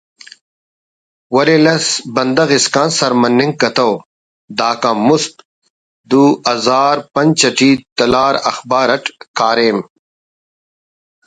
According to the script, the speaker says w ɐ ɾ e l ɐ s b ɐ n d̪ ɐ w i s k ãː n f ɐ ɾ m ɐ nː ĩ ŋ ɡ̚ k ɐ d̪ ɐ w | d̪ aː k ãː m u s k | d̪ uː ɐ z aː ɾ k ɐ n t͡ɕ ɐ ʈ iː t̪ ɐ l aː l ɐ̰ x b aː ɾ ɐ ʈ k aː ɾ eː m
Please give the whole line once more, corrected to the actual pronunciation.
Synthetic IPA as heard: w ɐ ɾ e l ɐ s b ɐ n d̪ ɐ ɣ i s k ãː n s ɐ ɾ m ɐ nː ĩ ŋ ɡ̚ k ɐ t̪ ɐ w | d̪ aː k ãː m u s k | d̪ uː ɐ z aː ɾ p ɐ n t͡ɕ ɐ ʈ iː t̪ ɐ l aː ɾ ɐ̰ x b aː ɾ ɐ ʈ k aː ɾ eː m